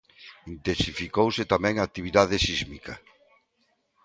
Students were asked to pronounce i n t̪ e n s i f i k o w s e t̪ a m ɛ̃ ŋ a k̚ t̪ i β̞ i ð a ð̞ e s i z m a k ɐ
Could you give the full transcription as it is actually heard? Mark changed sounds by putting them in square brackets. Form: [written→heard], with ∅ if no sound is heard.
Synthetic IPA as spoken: i n t̪ e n s i f i k o w s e t̪ a m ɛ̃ ŋ a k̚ t̪ i β̞ i ð a ð̞ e s i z m [a→i] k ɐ